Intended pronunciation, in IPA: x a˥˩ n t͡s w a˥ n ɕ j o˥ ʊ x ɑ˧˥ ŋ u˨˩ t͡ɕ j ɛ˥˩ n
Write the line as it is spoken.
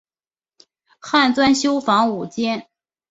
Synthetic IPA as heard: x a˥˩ n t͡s w a˥ n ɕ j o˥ ʊ f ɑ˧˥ ŋ u˨˩ t͡ɕ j ɛ˥ n